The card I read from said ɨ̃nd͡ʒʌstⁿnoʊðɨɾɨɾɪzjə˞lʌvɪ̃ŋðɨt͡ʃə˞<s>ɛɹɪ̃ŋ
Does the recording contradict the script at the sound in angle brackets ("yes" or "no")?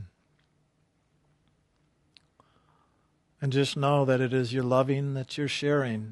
yes